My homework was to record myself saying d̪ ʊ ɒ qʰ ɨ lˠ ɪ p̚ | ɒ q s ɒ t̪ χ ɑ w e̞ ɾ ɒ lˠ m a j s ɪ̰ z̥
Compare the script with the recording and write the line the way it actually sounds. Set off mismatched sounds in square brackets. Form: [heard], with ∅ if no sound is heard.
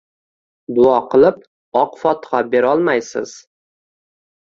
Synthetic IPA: d̪ ʊ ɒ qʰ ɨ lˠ ɪ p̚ | ɒ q [f] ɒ t̪ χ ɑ [b] e̞ ɾ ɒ lˠ m a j s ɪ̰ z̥